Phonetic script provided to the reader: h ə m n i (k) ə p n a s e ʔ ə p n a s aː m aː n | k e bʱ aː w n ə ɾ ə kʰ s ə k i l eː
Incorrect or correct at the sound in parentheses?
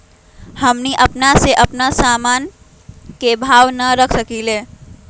incorrect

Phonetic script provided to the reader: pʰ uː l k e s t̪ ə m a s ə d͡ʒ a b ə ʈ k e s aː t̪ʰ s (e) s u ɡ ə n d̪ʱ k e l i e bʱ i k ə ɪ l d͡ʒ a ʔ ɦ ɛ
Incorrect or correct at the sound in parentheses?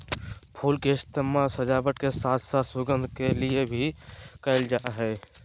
incorrect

